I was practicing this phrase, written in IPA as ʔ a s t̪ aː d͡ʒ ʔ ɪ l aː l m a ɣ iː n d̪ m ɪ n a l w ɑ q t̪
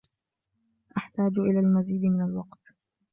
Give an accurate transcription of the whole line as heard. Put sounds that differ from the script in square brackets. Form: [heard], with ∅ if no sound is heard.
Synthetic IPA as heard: ʔ a [ħ] t̪ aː d͡ʒ ʔ ɪ l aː l m a [z] iː [∅] d̪ m ɪ n a l w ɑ q t̪